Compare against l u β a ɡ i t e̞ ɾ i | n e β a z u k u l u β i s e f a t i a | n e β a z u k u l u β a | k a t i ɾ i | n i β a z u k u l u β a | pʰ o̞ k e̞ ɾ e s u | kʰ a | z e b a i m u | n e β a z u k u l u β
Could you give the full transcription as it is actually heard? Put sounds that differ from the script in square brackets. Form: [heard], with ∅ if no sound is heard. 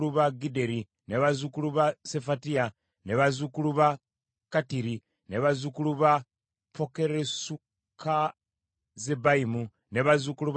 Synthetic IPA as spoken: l u β a ɡ i [d] e̞ ɾ i | n e β a z u k u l u β [a] s e f a t i a | n e β a z u k u l u β a | k a t i ɾ i | n [e] β a z u k u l u β a | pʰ o̞ k e̞ ɾ e s u | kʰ a | z e b a i m u | n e β a z u k u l u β